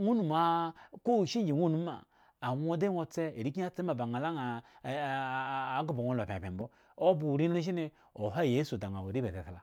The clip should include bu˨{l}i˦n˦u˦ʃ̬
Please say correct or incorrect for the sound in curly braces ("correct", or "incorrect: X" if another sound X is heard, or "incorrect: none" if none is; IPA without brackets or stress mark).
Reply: incorrect: ɾ